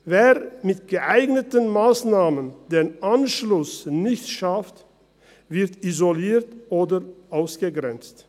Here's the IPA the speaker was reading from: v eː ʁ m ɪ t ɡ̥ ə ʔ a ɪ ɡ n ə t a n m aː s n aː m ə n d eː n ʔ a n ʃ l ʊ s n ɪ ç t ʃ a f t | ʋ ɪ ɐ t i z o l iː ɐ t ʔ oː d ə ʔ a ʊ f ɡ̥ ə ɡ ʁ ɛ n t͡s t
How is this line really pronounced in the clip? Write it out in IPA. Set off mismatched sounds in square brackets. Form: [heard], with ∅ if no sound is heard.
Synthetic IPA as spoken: v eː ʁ m ɪ t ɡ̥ ə ʔ a ɪ ɡ n ə t [ə] n m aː s n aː m ə n d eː n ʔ a n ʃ l ʊ s n ɪ ç t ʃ a f t | [v] ɪ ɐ t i z o l iː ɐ t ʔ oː d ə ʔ a ʊ [s] ɡ̥ ə ɡ ʁ ɛ n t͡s t